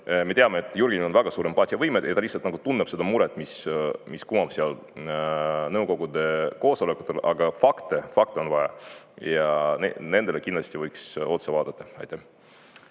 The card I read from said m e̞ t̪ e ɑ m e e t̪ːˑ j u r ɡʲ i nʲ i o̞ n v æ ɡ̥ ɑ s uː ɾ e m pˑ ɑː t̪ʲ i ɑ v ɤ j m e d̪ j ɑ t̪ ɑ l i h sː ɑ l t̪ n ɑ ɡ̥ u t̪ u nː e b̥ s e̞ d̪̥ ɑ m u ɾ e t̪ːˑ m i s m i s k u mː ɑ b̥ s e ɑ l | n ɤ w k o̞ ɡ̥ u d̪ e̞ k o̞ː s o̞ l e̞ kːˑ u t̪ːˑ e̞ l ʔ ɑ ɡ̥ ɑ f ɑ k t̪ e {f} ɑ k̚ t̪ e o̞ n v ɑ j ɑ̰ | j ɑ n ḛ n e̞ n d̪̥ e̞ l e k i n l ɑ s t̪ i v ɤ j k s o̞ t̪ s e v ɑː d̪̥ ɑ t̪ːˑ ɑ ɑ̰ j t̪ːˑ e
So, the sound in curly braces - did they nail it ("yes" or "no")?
yes